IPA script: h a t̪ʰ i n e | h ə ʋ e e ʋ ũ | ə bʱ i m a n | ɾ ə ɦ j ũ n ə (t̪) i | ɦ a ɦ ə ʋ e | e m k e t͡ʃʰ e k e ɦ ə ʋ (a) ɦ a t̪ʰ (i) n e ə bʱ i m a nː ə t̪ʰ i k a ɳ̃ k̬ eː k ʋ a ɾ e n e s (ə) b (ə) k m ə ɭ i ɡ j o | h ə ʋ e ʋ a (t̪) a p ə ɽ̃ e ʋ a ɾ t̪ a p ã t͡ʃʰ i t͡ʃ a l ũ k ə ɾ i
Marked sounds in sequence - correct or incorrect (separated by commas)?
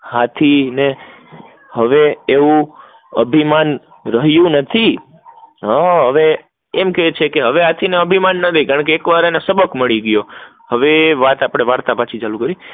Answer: incorrect, incorrect, correct, correct, correct, correct